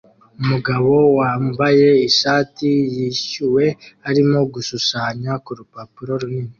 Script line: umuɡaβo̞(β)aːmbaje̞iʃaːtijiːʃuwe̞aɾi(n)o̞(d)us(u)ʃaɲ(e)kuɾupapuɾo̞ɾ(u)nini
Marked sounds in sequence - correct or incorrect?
incorrect: w, incorrect: m, incorrect: ɡ, correct, incorrect: a, correct

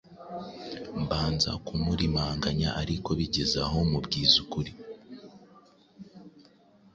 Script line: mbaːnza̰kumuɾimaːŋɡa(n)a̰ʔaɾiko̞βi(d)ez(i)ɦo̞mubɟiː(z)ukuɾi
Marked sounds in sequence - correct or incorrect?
incorrect: ɲ, incorrect: ɟ, incorrect: a, correct

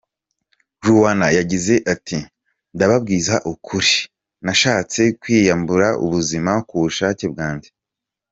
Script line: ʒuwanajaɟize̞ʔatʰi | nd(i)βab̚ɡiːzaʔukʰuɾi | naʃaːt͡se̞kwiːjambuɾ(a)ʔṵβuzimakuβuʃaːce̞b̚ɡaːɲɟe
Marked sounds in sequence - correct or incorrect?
incorrect: a, correct

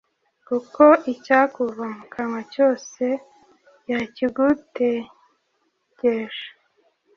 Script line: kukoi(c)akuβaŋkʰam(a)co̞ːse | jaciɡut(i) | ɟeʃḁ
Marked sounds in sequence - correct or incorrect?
correct, correct, incorrect: e

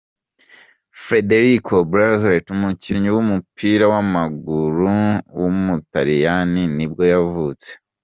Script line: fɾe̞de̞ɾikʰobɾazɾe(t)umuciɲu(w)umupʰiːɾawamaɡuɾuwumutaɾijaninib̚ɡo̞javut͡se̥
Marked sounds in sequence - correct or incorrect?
correct, correct

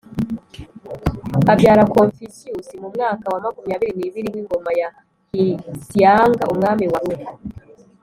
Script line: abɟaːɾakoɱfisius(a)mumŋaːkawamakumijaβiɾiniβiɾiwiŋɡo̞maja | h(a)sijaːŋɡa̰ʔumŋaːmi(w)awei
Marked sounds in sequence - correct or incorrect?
incorrect: i, incorrect: i, correct

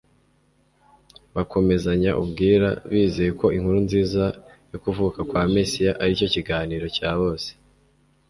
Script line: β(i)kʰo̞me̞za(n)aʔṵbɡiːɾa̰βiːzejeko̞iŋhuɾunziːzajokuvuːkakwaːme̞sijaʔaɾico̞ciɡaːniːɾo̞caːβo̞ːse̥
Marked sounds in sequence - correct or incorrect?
incorrect: a, incorrect: ɲ

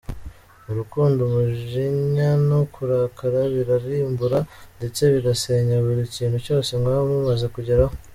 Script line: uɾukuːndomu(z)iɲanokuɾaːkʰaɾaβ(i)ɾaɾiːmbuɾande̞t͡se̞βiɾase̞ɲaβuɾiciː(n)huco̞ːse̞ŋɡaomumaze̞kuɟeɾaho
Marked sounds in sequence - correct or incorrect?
incorrect: ʒ, correct, correct

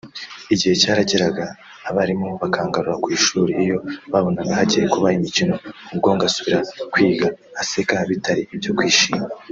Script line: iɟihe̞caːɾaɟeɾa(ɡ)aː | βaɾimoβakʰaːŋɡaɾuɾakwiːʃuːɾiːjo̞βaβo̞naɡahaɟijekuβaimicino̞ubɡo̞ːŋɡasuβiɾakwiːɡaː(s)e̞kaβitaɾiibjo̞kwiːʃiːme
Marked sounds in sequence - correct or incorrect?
correct, correct

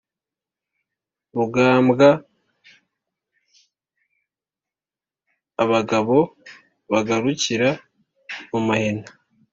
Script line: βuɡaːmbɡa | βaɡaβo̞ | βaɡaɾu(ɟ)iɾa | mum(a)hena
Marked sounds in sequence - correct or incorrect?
incorrect: c, correct

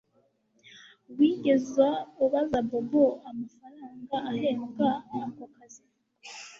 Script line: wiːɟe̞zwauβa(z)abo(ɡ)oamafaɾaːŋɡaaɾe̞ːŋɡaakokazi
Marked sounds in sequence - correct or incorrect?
correct, incorrect: b

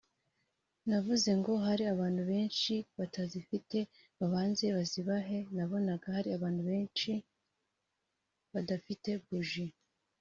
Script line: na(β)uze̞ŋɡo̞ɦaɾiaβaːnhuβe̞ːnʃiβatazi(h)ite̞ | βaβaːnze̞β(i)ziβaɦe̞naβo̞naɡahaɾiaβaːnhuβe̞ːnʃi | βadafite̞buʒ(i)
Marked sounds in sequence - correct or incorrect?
incorrect: v, incorrect: f, incorrect: a, correct

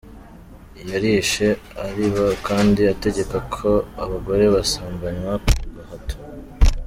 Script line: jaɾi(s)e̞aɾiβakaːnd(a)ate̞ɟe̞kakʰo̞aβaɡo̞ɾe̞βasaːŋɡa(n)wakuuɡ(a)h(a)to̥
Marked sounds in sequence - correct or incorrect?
incorrect: ʃ, incorrect: i, incorrect: ɲ, correct, correct

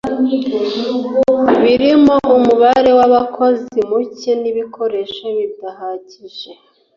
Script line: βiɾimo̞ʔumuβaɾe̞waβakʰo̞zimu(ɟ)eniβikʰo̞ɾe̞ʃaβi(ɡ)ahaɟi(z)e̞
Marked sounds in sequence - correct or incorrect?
incorrect: c, incorrect: d, incorrect: ʒ

